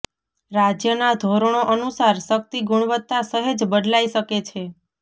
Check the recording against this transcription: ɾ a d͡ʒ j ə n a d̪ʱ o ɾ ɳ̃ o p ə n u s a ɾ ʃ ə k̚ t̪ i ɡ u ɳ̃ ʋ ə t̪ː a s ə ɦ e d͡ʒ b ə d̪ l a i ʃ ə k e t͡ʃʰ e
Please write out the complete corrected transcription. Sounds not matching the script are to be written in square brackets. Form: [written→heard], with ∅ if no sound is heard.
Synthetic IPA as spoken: ɾ a d͡ʒ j ə n a d̪ʱ o ɾ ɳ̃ o [p→ʔ] ə n u s a ɾ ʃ ə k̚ t̪ i ɡ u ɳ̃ ʋ ə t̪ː a s ə ɦ e d͡ʒ b ə d̪ l a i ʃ ə k e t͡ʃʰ e

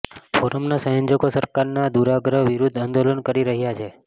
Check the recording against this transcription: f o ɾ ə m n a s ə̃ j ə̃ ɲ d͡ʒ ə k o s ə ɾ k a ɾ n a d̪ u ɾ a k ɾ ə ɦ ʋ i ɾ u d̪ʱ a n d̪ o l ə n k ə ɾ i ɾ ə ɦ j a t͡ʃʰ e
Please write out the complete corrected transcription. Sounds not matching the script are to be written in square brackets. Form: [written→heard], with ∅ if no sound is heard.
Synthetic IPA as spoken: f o ɾ ə m n a s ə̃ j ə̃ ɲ d͡ʒ ə k o s ə ɾ k a ɾ n a d̪ u ɾ a [k→ɡ] ɾ ə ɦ ʋ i ɾ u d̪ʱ a n d̪ o l ə n k ə ɾ i ɾ ə ɦ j a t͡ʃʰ e

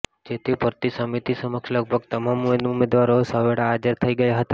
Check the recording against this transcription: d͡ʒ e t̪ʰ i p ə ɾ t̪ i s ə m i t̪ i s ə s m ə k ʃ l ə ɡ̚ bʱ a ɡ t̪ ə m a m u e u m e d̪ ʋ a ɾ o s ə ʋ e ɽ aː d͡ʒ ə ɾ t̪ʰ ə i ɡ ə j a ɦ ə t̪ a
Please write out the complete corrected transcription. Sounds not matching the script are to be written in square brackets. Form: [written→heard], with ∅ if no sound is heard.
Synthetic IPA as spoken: d͡ʒ e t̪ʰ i p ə ɾ t̪ i s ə m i t̪ i s ə [s→∅] m ə k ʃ l ə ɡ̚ bʱ [a→ə] ɡ t̪ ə m a m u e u m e d̪ ʋ a ɾ o s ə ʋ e ɽ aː d͡ʒ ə ɾ t̪ʰ ə i ɡ ə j a ɦ ə t̪ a

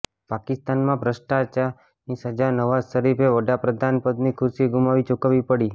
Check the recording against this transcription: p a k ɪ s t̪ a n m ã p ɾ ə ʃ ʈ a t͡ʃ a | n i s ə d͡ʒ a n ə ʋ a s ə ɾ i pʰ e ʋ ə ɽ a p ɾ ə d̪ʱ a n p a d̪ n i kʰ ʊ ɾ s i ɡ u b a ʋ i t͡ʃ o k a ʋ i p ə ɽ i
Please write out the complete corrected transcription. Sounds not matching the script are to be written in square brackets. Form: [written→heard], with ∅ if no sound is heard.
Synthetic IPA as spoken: p a k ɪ s t̪ a n m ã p ɾ ə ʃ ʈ a t͡ʃ a | n i s ə d͡ʒ a n ə ʋ a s ə ɾ i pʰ e ʋ ə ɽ a p ɾ ə d̪ʱ a n p [a→ə] d̪ n i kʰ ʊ ɾ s i ɡ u [b→m] a ʋ i t͡ʃ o k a ʋ i p ə ɽ i

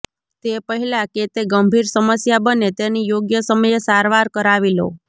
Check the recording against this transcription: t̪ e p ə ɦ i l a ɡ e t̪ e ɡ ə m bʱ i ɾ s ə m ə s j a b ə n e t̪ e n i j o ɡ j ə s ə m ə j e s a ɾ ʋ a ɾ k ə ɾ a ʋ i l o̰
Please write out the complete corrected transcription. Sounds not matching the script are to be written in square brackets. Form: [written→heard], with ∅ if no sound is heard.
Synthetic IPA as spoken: t̪ e p ə ɦ i l a [ɡ→k] e t̪ e ɡ ə m bʱ i ɾ s ə m ə s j a b ə n e t̪ e n i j o ɡ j ə s ə m ə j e s a ɾ ʋ a ɾ k ə ɾ a ʋ i l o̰

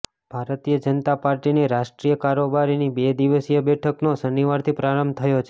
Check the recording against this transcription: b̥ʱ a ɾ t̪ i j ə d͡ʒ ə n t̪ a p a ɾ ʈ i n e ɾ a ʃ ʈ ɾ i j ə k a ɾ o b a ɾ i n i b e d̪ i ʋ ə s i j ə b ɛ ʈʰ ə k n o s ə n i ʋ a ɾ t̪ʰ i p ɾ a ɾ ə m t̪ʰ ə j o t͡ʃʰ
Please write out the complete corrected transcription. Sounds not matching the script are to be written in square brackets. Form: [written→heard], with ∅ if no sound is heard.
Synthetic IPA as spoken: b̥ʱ a ɾ t̪ i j ə d͡ʒ ə n t̪ a p a ɾ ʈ i n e ɾ a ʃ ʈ ɾ i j ə k a ɾ o b a ɾ i n i b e d̪ i ʋ ə s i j ə b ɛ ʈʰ ə k n o s ə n i ʋ a ɾ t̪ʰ i p ɾ a ɾ ə m t̪ʰ ə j o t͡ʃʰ

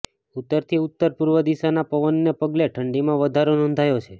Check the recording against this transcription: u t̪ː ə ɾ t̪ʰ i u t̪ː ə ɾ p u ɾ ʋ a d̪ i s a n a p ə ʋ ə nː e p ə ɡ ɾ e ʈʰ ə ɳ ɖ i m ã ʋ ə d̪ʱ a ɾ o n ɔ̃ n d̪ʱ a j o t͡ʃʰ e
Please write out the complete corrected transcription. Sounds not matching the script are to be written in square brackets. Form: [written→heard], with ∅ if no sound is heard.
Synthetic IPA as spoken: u t̪ː ə ɾ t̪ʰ i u t̪ː ə ɾ p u ɾ ʋ [a→ə] d̪ i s a n a p ə ʋ ə nː e p ə ɡ [ɾ→l] e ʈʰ ə ɳ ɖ i m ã ʋ ə d̪ʱ a ɾ o n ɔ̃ n d̪ʱ a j o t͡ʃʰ e

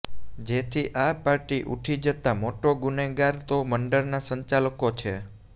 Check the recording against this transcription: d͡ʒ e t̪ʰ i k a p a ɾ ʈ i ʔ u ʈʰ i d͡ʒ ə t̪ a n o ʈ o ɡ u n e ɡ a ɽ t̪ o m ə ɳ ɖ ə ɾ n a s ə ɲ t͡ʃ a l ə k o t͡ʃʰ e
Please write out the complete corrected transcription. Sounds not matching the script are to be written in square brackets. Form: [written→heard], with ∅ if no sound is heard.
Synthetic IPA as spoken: d͡ʒ e t̪ʰ i [k→ʔ] a p a ɾ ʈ i ʔ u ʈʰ i d͡ʒ ə t̪ a [n→m] o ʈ o ɡ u n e ɡ a [ɽ→ɾ] t̪ o m ə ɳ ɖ ə ɾ n a s ə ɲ t͡ʃ a l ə k o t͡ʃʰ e

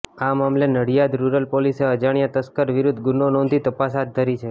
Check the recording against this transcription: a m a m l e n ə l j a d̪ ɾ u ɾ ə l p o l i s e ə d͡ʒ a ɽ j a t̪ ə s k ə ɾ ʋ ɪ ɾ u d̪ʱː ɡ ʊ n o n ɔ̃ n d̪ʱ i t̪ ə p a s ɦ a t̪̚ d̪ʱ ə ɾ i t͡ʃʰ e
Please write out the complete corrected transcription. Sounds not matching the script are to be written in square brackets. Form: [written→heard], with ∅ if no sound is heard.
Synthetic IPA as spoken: a m a m l e n ə [l→ɽ] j a d̪ ɾ u ɾ ə l p o l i s e ə d͡ʒ a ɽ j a t̪ ə s k ə ɾ ʋ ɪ ɾ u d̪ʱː ɡ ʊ n o n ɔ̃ n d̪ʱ i t̪ ə p a s ɦ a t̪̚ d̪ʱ ə ɾ i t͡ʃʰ e

